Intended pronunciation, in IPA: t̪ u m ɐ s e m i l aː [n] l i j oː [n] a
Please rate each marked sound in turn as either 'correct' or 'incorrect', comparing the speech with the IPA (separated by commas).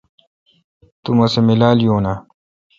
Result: incorrect, correct